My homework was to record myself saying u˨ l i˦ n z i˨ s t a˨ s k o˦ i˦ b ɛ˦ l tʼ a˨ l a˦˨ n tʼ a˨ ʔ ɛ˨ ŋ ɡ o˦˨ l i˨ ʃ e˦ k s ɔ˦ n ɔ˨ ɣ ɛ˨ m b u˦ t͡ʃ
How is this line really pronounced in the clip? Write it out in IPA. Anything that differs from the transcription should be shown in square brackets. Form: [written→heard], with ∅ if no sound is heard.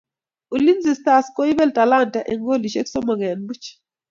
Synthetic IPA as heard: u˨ l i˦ n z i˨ s t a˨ s k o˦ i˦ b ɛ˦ l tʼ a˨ l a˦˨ n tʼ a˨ ʔ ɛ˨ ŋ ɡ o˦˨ l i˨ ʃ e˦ k s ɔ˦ [n→m] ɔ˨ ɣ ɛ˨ [m→n] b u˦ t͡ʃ